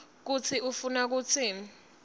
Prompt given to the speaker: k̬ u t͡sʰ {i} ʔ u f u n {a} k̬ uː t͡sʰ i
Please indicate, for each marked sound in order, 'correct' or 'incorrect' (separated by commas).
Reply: correct, correct